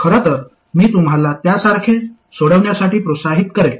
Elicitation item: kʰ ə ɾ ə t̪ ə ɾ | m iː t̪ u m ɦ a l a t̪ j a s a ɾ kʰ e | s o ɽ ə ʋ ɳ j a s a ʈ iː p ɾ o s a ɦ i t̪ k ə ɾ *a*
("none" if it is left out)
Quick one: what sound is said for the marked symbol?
e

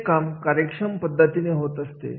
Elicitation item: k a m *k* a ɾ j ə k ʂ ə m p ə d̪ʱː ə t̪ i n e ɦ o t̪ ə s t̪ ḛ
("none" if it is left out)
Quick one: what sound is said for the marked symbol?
k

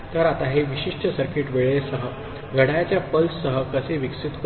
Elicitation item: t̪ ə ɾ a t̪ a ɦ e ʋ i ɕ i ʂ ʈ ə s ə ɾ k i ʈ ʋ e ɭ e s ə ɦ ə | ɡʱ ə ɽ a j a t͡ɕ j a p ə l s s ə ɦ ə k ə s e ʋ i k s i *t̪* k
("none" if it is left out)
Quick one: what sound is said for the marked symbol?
t̪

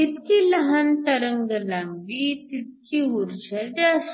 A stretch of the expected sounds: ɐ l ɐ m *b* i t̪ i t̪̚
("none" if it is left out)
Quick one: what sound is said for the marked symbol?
b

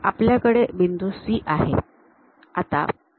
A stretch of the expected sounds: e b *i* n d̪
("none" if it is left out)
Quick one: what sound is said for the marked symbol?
i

